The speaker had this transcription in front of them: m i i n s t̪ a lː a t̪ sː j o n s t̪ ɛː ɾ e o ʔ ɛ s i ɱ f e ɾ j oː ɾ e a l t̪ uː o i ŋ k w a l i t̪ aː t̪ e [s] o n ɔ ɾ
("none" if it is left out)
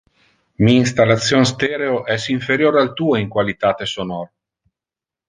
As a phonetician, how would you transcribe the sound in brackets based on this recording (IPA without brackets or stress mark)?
s